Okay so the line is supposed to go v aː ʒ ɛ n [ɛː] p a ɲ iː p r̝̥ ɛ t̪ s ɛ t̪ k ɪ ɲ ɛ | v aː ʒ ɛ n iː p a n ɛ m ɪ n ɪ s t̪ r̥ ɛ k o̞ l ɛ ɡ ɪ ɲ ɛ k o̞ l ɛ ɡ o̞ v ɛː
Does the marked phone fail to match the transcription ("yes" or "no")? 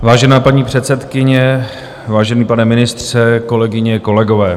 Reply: yes